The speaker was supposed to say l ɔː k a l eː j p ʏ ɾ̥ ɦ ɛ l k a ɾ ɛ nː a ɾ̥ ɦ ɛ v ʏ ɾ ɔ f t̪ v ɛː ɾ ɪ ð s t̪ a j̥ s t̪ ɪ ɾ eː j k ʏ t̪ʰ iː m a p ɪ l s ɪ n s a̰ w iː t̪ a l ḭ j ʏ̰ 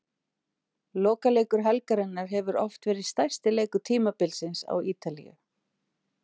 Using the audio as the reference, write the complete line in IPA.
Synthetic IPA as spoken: l ɔː k a l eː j k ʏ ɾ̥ ɦ ɛ l k a ɾ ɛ nː a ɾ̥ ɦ ɛ v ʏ ɾ ɔ f t̪ v ɛː ɾ ɪ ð s t̪ a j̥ s t̪ ɪ l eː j k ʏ t̪ʰ iː m a p ɪ l s ɪ n s a̰ w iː t̪ a l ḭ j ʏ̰